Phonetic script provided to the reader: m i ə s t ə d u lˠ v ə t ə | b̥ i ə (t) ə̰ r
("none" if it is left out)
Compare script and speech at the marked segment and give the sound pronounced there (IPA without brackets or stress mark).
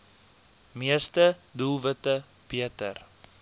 t